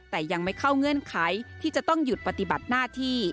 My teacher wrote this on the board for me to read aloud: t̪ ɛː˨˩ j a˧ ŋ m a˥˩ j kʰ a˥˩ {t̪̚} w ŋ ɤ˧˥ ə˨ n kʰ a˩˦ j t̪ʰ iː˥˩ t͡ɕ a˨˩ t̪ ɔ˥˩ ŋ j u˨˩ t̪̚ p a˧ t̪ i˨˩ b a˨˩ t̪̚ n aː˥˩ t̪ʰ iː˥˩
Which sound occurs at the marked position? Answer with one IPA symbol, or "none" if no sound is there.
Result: none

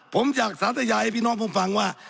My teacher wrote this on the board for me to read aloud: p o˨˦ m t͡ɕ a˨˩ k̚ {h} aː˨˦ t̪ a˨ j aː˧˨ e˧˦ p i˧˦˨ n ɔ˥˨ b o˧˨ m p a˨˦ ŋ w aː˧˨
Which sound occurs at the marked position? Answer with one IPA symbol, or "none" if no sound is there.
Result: s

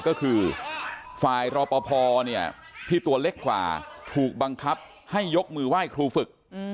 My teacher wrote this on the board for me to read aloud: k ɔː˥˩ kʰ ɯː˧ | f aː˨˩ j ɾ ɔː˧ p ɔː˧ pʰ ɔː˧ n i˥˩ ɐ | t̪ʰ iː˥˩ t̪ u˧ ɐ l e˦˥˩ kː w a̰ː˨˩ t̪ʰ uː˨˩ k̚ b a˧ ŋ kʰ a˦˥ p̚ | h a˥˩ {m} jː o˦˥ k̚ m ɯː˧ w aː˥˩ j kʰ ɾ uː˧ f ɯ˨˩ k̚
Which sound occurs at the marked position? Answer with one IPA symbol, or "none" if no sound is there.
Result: none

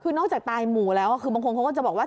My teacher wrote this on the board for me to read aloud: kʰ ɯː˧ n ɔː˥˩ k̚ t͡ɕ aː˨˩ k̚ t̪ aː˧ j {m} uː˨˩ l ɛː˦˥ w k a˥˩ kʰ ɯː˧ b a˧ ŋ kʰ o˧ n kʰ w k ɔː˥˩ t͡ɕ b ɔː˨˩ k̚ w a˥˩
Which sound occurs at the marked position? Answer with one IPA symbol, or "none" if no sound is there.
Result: m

